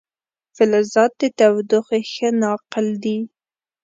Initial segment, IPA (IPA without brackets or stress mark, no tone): f